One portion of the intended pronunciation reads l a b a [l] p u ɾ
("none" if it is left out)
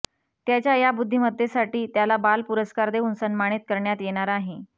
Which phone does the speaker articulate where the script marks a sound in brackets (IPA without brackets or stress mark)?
l